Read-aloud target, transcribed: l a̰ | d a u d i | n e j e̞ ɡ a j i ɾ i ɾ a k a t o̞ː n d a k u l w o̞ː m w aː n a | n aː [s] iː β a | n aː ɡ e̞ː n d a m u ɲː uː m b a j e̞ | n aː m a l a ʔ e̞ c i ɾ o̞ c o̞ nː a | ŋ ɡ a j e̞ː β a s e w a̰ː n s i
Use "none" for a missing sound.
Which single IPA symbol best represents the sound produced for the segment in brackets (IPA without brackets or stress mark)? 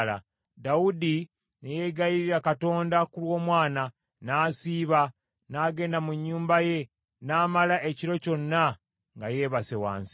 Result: s